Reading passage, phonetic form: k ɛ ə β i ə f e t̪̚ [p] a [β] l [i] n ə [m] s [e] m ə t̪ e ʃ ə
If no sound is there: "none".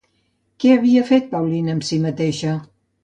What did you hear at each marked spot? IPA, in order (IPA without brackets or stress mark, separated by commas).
p, w, i, m, i